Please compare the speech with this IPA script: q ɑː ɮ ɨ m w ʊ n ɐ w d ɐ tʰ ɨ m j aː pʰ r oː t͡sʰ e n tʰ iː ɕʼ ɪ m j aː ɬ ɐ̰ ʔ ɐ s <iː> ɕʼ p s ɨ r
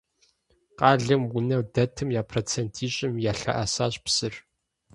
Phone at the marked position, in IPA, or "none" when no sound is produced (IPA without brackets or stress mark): aː